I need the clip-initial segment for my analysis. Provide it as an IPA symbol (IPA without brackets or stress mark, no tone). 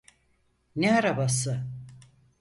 n